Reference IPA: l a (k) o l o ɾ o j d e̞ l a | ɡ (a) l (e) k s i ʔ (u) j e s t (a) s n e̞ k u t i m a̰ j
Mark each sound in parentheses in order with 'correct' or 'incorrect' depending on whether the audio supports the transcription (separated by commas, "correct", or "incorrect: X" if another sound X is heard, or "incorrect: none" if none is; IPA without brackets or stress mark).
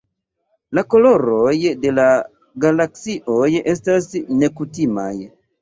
correct, correct, incorrect: a, incorrect: o, correct